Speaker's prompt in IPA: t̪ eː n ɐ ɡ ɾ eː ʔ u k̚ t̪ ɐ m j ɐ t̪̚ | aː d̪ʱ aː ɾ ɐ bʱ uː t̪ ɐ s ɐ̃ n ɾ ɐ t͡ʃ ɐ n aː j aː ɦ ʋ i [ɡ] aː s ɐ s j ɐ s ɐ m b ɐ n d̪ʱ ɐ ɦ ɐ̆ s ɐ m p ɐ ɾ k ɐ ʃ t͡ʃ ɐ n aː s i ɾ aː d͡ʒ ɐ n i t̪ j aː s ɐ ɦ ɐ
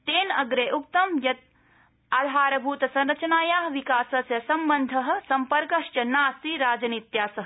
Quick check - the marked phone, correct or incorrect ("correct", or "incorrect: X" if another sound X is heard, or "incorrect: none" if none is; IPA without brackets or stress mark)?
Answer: incorrect: k